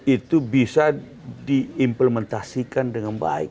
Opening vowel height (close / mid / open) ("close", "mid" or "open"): close